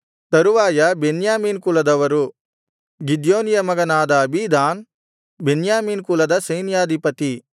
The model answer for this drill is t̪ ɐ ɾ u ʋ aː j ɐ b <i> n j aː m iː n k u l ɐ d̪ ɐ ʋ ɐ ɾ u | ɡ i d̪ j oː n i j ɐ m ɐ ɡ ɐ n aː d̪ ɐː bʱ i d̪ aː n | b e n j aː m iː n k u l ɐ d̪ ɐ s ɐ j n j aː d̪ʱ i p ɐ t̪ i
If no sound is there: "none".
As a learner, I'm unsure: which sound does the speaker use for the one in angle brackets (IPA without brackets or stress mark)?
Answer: e